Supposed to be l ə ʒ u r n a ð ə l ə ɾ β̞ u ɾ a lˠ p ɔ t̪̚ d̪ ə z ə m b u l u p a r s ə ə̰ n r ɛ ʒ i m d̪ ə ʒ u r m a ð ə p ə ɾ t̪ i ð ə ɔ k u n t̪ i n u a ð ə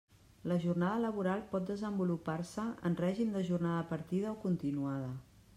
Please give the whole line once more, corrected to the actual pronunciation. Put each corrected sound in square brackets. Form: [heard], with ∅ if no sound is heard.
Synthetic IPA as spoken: l ə ʒ u r n a ð ə l ə [∅] β̞ u ɾ a lˠ p ɔ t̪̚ d̪ ə z ə m b u l u p a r s ə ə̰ n r ɛ ʒ i m d̪ ə ʒ u r [n] a ð ə p ə ɾ t̪ i ð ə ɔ k u n t̪ i n u a ð ə